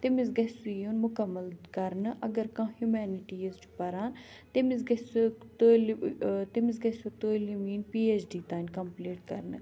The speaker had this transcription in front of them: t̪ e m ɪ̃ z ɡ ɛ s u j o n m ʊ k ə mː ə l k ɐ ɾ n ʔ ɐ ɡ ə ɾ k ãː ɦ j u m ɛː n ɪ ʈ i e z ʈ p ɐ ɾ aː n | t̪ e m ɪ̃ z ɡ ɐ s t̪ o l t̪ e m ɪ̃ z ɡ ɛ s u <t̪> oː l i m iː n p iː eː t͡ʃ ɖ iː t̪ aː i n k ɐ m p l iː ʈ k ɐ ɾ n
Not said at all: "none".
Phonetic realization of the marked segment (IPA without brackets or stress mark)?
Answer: t̪